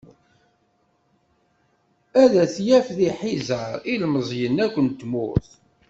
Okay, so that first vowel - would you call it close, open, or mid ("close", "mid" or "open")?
open